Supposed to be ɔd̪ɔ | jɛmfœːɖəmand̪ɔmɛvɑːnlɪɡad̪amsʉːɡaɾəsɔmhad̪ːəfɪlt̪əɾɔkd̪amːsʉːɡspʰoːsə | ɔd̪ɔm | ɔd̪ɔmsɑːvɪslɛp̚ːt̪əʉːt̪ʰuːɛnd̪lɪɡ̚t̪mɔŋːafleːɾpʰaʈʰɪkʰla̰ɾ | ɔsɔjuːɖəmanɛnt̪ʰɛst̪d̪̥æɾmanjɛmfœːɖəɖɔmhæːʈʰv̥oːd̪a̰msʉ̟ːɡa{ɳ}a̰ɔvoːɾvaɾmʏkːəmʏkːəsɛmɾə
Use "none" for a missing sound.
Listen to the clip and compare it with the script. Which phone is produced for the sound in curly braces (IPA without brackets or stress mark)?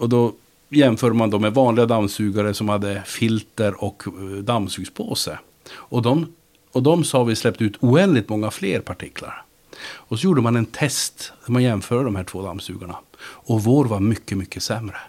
ɳ